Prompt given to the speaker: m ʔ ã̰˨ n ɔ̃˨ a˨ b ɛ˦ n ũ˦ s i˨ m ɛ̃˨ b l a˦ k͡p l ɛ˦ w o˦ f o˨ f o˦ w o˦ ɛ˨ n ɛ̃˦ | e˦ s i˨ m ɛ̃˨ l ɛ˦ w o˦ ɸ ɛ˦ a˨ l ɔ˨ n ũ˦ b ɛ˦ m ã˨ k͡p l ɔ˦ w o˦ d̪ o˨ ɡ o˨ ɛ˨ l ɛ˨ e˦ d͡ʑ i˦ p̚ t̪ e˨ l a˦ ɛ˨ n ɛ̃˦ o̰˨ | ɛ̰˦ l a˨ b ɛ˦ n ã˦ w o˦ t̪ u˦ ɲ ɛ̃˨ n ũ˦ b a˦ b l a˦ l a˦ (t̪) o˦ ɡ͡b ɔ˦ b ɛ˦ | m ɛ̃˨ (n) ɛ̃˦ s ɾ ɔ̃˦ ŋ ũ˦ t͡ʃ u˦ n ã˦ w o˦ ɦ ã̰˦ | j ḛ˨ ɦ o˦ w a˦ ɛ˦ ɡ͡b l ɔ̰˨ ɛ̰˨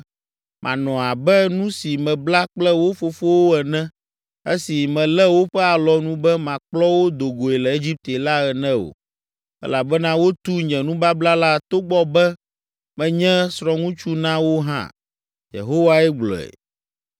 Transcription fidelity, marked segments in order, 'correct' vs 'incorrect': correct, incorrect: ɲ

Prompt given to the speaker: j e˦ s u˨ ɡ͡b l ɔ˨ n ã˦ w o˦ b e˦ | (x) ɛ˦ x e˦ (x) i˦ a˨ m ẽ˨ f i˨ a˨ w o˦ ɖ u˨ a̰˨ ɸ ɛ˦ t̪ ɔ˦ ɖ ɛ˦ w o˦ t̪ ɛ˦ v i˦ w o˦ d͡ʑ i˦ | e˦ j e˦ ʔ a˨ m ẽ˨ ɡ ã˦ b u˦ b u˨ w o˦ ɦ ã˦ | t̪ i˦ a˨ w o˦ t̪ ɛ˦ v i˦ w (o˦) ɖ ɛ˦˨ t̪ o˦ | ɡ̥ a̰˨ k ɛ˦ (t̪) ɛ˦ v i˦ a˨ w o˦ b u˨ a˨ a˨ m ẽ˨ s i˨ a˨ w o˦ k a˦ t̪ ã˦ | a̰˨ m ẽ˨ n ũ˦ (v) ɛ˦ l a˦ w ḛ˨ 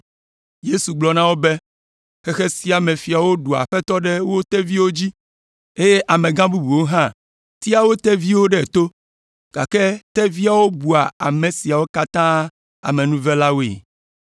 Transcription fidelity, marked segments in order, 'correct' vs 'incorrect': correct, incorrect: s, correct, correct, correct

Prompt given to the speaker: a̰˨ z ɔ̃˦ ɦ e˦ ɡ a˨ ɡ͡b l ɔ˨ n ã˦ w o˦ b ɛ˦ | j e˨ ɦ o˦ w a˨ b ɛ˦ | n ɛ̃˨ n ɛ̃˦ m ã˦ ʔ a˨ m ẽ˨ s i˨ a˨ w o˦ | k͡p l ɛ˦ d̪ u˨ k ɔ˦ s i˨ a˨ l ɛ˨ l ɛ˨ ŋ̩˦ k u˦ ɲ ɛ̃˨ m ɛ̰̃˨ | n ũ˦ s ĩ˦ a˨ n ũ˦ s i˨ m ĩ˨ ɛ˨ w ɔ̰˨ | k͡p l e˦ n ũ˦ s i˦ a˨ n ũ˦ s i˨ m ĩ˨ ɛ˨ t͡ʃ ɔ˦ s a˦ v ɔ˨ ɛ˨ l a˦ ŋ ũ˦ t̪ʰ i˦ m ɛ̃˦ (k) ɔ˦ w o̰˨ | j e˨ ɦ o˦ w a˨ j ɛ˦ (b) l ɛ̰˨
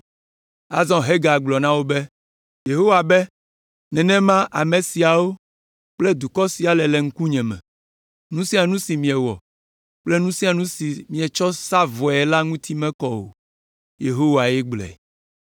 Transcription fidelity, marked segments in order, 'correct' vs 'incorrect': correct, incorrect: ɡ͡b

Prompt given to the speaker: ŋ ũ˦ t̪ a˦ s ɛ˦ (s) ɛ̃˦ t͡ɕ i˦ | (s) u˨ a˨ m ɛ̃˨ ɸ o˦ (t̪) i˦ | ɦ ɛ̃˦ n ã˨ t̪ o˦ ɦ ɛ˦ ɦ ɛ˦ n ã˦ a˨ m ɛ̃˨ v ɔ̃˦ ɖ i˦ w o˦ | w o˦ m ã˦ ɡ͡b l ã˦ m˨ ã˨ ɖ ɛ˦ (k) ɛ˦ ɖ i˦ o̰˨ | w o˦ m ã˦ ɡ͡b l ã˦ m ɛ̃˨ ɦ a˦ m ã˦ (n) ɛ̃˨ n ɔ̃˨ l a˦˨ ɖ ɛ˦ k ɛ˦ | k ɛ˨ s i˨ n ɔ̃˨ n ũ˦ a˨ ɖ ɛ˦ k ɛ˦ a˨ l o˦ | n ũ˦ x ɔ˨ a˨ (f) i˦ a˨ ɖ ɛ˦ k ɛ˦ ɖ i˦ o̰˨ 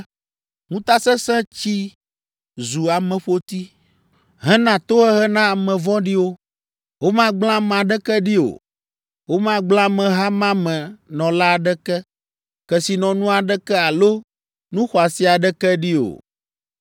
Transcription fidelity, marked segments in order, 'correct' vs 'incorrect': correct, incorrect: z, correct, correct, incorrect: m, incorrect: s

